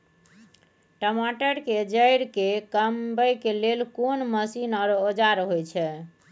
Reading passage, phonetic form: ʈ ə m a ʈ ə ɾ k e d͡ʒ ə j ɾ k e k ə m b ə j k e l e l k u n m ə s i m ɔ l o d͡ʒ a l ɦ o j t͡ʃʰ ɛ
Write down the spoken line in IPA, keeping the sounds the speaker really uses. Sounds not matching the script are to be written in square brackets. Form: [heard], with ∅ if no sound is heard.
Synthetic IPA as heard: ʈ ə m a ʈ ə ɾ k e d͡ʒ ə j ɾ k e k ə m b ə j k e l e l k [o] n m ə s i [n] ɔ [ɾ] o d͡ʒ a [ɾ] ɦ o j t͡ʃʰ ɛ